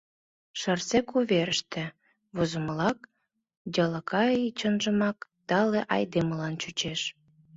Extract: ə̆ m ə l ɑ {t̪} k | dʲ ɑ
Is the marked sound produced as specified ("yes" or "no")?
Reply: no